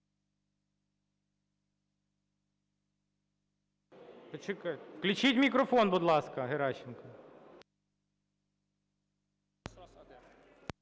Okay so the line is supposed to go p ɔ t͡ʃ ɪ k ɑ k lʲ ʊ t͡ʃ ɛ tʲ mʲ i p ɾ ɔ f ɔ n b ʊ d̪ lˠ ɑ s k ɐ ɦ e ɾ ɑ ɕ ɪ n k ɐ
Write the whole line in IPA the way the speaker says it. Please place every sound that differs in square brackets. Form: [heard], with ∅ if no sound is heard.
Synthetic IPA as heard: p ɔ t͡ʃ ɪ k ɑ k lʲ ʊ t͡ʃ [i] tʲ mʲ i [k] ɾ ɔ f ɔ n b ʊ d̪ lˠ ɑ s k ɐ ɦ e ɾ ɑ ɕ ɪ n k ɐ